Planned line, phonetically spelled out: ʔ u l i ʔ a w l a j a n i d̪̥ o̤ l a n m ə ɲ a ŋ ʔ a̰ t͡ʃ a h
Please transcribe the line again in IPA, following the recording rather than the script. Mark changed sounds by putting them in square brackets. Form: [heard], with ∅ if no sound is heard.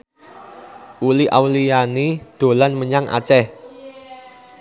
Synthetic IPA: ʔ u l i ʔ a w l [i] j a n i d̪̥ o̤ l a n m ə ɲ a ŋ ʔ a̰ t͡ʃ [ɛ] h